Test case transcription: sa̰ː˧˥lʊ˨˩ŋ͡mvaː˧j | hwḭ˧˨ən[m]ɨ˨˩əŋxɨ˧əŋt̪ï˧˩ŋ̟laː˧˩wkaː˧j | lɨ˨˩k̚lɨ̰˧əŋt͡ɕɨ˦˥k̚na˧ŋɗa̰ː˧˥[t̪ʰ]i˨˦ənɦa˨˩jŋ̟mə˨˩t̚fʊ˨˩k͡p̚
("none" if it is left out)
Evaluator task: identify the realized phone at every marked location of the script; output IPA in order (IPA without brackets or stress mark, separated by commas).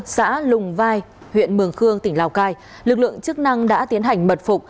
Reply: m, t̪